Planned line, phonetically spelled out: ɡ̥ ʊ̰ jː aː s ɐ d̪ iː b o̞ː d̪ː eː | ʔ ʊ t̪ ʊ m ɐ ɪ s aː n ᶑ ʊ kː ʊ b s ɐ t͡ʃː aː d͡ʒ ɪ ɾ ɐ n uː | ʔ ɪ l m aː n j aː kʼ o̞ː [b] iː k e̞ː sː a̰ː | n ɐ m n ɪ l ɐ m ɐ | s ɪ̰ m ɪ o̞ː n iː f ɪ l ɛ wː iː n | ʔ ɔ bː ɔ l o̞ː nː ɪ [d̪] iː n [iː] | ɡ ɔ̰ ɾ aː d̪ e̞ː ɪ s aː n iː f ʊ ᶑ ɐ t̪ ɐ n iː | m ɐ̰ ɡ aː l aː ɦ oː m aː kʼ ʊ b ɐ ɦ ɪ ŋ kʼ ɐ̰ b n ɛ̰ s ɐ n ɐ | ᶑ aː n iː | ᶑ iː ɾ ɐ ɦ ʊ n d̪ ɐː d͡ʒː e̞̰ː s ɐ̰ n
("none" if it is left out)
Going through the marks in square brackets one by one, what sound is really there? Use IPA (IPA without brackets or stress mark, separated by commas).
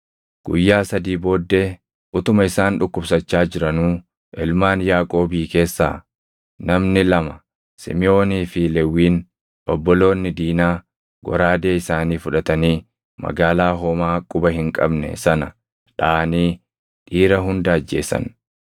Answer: b, d̪, aː